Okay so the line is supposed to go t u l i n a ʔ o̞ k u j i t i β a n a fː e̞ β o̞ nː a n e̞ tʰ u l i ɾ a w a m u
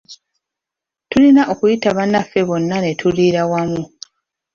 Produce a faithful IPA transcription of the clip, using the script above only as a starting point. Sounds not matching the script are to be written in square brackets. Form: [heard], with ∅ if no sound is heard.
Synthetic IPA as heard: t u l i n a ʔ o̞ k u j i t [a] β a n a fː e̞ β o̞ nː a n e̞ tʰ u l i ɾ a w a m u